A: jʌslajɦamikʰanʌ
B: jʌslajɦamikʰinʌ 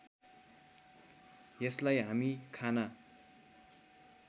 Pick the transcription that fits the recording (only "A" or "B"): A